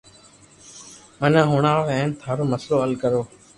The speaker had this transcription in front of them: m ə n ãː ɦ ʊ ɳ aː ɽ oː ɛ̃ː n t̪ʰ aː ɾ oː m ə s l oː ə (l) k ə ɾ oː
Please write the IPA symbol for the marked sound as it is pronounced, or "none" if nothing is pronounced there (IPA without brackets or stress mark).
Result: l